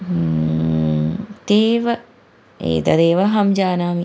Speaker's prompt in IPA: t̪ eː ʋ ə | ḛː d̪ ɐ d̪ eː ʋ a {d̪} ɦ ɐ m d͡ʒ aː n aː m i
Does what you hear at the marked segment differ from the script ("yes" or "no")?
yes